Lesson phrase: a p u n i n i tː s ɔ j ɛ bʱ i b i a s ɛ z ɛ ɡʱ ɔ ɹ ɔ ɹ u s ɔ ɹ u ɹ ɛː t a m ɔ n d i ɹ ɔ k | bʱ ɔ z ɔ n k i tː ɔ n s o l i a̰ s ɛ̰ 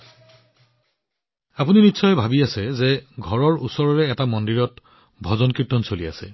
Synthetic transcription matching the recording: a p u n i n i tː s ɔ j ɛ bʱ a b i a s ɛ z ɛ ɡʱ ɔ ɹ ɔ ɹ u s ɔ ɹ ɔ ɹ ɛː t a m ɔ n d i ɹ ɔ t | bʱ ɔ z ɔ n k i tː ɔ n s o l i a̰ s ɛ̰